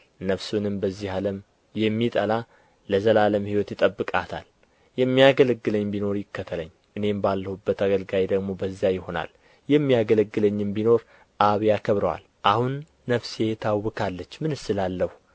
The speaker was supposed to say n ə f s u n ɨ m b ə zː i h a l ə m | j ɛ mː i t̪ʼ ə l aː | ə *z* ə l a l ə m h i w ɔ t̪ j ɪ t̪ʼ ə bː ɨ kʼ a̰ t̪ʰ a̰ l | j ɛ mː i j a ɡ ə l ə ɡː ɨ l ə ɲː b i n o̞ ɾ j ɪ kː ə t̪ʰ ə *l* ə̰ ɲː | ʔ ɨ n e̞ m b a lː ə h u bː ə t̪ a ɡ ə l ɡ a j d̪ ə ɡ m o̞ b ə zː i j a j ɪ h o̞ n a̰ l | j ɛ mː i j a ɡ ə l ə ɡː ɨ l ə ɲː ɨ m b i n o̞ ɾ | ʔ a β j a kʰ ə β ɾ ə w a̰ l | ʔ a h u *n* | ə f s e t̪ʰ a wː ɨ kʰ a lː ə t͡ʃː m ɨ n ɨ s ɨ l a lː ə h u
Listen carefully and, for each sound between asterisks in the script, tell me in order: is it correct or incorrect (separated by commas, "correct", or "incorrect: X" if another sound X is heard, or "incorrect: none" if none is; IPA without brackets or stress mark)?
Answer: correct, correct, incorrect: nː